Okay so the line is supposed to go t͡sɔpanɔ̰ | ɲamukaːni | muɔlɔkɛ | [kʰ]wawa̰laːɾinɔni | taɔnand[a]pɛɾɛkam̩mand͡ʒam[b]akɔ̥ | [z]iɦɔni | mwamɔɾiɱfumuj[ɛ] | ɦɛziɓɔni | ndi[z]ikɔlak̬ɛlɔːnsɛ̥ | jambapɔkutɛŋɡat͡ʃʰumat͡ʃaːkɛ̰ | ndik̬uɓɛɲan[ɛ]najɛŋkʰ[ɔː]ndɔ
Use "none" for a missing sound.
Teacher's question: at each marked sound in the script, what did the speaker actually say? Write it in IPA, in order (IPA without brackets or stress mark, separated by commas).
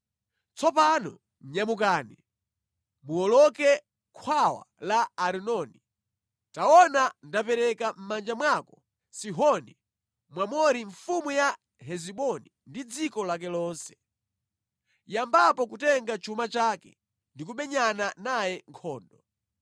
kʰ, a, w, s, a, d͡z, a, ɔː